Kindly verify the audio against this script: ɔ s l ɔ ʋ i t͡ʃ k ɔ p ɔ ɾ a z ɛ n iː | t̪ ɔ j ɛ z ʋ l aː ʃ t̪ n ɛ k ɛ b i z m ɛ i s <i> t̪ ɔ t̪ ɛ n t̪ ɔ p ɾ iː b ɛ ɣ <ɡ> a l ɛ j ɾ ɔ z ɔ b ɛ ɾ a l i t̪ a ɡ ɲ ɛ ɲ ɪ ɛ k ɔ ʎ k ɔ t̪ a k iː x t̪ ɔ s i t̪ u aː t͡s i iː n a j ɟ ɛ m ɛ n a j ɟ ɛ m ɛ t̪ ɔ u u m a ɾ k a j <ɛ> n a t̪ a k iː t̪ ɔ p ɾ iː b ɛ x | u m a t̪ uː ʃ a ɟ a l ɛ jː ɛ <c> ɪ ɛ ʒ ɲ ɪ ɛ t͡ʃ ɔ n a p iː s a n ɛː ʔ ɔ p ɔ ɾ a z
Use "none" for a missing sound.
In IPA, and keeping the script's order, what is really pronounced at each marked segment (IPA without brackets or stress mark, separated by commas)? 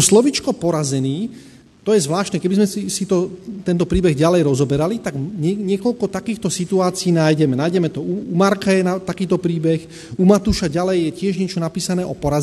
i, ɟ, ɛ, c